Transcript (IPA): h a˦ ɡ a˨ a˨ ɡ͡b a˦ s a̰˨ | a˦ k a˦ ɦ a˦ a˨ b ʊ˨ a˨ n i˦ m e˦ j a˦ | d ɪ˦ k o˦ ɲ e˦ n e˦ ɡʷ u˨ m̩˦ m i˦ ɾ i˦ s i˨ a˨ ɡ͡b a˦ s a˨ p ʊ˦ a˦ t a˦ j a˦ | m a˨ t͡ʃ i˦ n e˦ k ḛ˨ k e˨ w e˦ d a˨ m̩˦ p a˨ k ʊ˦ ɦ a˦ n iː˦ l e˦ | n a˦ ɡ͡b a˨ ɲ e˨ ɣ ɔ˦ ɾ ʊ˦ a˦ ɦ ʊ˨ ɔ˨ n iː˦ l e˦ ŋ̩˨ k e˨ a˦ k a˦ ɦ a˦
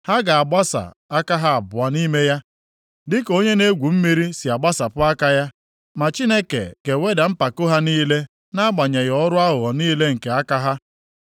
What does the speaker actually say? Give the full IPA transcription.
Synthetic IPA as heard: h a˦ ɡ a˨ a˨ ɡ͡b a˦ s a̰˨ | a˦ k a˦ ɦ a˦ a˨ b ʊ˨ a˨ n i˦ m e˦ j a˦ | d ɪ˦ k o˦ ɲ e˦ n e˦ ɡʷ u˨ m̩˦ m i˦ ɾ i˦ s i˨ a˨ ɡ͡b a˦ s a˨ p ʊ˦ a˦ k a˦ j a˦ | m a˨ t͡ʃ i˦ n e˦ k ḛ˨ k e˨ w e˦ d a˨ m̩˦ p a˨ k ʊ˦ ɦ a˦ n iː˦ l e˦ | n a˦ ɡ͡b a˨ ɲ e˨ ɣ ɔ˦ ɾ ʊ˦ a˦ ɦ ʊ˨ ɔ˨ n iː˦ l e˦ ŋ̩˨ k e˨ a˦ k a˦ ɦ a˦

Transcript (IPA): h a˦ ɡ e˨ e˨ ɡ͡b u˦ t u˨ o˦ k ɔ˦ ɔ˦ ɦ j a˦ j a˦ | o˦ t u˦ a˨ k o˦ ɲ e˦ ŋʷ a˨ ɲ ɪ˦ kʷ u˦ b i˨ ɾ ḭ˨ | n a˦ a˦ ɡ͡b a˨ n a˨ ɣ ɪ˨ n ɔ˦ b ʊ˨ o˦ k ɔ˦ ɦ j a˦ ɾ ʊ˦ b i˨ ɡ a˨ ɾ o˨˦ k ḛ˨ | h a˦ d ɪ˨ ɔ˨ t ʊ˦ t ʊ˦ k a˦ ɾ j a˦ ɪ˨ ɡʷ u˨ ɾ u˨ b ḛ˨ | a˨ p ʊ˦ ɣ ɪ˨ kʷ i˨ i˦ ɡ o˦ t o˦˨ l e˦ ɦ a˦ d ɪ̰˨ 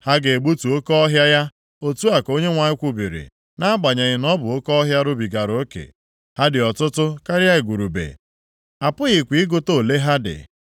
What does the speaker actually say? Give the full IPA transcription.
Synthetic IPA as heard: h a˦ ɡ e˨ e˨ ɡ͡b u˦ t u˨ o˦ k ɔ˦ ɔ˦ ɦ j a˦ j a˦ | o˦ t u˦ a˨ k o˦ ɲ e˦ ŋʷ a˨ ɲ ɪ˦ kʷ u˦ b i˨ ɾ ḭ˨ | n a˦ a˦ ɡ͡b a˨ ɲ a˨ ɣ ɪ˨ n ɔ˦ b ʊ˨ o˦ k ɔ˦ ɦ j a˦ ɾ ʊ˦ b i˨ ɡ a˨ ɾ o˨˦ k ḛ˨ | h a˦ d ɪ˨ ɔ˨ t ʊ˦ t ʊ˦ k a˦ ɾ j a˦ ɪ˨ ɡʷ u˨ ɾ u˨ b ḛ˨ | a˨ p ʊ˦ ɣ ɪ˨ kʷ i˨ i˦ ɡ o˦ t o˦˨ l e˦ ɦ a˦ d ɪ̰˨

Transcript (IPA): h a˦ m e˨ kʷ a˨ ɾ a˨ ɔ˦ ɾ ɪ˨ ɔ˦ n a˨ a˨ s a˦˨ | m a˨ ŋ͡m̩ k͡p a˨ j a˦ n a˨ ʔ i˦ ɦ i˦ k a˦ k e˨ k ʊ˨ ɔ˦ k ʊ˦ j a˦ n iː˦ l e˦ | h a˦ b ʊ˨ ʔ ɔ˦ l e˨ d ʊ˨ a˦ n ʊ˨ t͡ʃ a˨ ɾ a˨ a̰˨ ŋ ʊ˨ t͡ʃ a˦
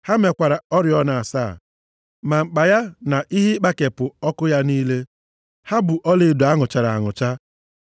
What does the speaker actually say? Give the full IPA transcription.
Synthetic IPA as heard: h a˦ m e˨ kʷ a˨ ɾ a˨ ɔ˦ ɾ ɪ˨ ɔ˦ n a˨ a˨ s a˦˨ | m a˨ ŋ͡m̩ k͡p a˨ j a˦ n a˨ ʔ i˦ ɦ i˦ k͡p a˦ k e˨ p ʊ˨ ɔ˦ k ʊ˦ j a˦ n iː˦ l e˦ | h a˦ b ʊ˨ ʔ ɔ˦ l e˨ d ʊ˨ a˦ ŋ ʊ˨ t͡ʃ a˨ ɾ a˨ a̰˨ ŋ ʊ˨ t͡ʃ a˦

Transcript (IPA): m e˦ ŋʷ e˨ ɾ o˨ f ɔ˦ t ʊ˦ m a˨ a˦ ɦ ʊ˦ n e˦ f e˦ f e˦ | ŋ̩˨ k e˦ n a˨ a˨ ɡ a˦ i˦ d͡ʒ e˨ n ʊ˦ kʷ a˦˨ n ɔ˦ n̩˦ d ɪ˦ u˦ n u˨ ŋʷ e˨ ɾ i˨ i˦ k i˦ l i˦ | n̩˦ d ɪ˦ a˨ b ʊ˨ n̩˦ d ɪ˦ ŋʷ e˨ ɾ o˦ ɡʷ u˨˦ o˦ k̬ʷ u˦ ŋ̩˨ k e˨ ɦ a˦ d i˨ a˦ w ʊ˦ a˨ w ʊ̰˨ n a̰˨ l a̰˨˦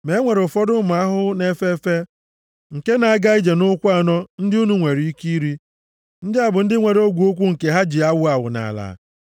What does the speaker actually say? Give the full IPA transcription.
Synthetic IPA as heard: m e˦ ŋʷ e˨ ɾ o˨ f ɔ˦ d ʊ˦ m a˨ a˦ ɦ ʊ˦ n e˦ f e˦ f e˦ | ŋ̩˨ k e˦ n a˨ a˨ ɡ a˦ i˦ d͡ʒ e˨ n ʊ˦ kʷ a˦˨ n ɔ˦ n̩˦ d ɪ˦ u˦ n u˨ ŋʷ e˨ ɾ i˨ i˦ k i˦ ɾ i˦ | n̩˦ d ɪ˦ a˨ b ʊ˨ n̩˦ d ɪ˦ ŋʷ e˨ ɾ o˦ ɡʷ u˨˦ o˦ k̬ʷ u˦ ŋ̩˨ k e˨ ɦ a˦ d͡ʒ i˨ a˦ w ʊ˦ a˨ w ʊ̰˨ n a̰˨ l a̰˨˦

